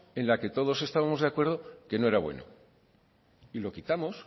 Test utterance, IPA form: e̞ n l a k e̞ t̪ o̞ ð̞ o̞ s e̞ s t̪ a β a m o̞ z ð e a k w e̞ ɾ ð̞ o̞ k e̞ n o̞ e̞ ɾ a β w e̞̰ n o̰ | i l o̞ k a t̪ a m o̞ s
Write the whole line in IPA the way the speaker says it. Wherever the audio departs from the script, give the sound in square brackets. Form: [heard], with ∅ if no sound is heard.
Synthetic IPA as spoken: e̞ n l a k e̞ t̪ o̞ ð̞ o̞ s e̞ s t̪ a β a m o̞ z ð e a k w e̞ ɾ ð̞ o̞ k e̞ n o̞ e̞ ɾ a β w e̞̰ n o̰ | i l o̞ k [i] t̪ a m o̞ s